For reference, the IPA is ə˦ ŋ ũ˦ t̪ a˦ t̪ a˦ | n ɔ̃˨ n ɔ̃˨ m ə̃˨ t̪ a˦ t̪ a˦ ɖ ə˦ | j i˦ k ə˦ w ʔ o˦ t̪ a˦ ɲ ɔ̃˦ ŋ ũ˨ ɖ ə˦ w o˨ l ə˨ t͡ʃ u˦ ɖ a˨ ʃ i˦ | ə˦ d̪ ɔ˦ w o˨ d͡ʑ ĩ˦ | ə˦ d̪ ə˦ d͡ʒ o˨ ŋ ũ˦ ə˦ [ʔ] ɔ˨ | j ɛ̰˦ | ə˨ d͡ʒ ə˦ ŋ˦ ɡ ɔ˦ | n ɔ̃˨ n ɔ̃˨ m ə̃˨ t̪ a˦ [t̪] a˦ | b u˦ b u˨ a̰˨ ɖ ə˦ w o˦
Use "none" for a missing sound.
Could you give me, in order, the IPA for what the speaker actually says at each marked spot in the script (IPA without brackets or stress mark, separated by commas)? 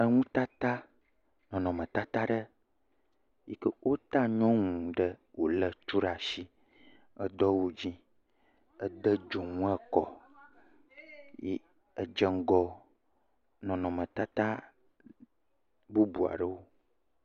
k, t̪